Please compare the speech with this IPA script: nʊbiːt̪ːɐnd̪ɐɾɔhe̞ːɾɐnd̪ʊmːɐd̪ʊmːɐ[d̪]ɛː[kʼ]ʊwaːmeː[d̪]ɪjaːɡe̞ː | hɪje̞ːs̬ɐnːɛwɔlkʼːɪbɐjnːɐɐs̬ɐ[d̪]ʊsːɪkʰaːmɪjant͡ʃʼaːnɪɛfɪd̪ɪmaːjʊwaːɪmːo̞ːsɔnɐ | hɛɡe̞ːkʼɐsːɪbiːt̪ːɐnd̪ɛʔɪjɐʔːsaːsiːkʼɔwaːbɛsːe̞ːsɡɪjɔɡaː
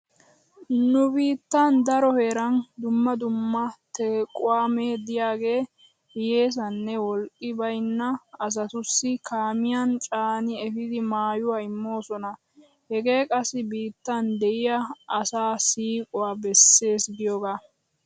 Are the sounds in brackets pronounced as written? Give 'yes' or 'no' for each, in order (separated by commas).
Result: no, yes, yes, no